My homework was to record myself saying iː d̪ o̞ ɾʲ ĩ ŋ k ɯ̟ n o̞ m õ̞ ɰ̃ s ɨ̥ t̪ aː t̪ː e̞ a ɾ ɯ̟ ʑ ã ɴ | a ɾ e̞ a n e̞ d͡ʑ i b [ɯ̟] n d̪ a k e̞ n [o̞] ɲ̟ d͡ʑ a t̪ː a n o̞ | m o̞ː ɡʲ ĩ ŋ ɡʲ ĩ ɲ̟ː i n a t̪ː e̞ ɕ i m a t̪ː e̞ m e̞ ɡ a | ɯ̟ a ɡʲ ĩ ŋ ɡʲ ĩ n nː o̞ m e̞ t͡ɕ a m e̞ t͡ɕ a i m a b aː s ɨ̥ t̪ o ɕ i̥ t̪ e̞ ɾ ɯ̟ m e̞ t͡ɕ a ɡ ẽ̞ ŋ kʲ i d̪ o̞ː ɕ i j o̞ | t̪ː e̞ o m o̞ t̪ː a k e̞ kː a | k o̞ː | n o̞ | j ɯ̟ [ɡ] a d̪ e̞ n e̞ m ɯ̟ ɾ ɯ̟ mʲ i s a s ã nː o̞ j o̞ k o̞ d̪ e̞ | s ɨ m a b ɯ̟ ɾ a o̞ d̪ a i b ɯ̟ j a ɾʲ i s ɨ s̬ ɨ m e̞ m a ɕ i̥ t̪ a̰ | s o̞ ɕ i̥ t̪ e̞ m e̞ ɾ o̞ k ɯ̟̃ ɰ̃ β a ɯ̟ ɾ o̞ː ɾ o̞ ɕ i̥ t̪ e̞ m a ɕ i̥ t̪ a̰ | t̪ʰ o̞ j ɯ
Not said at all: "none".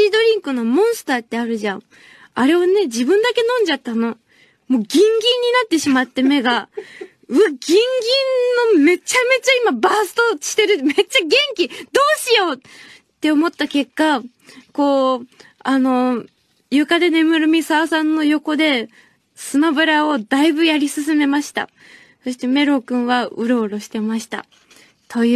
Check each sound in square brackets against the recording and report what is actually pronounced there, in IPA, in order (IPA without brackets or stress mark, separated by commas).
ɯ̟̃, õ̞, k